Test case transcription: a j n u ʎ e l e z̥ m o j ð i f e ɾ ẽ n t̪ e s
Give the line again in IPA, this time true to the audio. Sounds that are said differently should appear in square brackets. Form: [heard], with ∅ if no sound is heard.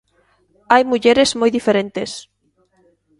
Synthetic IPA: a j [m] u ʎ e [ɾ] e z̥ m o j ð i f e ɾ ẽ n t̪ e s